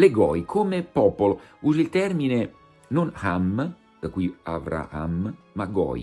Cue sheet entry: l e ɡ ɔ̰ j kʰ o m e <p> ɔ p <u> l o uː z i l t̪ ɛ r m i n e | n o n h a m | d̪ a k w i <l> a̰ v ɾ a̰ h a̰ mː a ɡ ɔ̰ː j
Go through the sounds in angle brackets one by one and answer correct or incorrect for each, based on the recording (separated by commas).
correct, incorrect, incorrect